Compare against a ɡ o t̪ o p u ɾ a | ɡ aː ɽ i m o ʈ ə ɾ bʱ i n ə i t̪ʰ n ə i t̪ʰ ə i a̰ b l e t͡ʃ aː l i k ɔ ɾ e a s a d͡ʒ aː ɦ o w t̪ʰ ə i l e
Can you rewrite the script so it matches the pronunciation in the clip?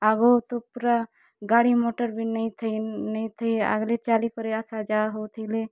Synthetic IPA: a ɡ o t̪ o p u ɾ a | ɡ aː ɽ i m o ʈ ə ɾ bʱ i n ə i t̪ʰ n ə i t̪ʰ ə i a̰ ɡ l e t͡ʃ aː l i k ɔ ɾ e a s a d͡ʒ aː ɦ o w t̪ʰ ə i l e